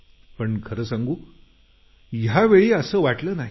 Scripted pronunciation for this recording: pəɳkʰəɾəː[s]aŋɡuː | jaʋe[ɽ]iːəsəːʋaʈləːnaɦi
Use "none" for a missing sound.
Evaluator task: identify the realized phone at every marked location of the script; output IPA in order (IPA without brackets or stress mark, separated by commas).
s, ɭ